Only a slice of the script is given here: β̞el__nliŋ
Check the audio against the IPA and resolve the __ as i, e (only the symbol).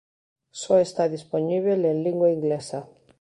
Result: e